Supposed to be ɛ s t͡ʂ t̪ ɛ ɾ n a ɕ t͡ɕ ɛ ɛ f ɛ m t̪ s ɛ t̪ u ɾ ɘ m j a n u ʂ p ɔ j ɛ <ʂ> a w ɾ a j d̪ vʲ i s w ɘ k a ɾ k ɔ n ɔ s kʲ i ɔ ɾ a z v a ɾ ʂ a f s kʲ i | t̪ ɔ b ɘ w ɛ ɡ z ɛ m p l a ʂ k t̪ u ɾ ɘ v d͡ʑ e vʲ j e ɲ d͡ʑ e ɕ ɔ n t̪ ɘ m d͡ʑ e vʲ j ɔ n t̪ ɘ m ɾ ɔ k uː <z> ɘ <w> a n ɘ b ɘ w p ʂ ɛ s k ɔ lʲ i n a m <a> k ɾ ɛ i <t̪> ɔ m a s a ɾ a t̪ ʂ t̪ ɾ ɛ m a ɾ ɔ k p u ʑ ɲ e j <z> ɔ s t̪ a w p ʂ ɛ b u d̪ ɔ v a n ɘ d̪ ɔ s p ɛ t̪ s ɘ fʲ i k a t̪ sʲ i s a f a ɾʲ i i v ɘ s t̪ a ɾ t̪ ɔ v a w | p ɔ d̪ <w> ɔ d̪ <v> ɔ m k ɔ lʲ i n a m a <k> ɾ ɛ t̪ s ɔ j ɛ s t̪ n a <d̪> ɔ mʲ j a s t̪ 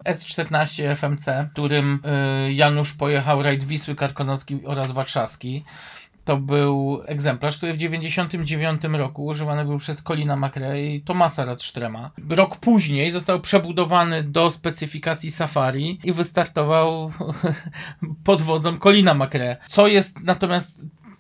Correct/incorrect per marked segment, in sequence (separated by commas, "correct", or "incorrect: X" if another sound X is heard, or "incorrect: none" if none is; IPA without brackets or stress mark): incorrect: x, incorrect: ʐ, incorrect: v, correct, correct, correct, incorrect: v, incorrect: z, correct, incorrect: t̪